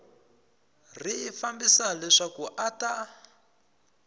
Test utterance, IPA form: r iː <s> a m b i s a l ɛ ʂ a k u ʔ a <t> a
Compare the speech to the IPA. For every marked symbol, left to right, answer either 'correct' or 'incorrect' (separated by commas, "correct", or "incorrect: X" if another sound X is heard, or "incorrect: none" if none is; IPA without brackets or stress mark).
incorrect: f, correct